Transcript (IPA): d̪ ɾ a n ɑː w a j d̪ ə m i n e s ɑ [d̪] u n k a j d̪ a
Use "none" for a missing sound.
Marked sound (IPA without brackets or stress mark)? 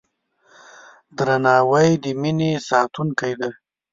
t̪